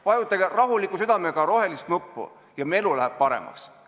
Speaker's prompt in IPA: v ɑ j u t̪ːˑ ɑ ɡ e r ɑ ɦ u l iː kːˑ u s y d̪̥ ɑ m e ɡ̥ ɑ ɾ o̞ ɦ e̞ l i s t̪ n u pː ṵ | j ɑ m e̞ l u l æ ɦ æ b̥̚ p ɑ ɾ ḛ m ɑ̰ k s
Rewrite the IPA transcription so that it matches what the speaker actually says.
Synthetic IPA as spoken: v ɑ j u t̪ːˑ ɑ ɡ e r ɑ ɦ u l i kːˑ u s y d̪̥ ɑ m e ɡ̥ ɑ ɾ o̞ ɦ e̞ l i s t̪ n u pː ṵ | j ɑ m e̞ l u l æ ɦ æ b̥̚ p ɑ ɾ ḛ m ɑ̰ k s